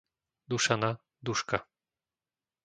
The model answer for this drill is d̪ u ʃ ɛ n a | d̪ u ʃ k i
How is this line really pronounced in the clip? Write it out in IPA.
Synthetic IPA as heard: d̪ u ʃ a n a | d̪ u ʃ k a